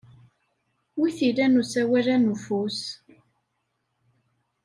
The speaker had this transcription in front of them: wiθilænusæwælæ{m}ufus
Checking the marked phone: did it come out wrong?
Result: yes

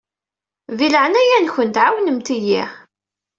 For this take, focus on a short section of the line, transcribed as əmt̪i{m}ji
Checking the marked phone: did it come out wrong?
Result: yes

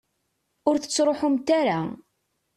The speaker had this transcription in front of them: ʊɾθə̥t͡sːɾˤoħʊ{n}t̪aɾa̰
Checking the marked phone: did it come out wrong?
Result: yes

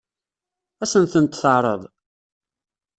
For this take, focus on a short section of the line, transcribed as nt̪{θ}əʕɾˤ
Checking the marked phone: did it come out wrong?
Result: no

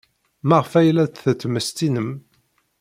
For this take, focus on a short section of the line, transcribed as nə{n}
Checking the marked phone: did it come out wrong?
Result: yes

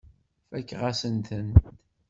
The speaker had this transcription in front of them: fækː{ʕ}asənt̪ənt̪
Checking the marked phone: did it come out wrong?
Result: yes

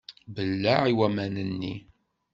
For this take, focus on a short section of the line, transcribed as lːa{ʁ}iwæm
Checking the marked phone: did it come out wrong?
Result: yes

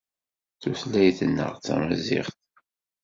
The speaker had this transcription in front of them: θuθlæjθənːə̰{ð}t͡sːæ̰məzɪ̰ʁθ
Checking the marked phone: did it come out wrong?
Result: yes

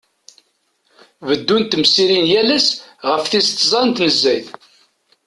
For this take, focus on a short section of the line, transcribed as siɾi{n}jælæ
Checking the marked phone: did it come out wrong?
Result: no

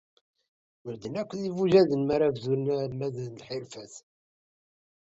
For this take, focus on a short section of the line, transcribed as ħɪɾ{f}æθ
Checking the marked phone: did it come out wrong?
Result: no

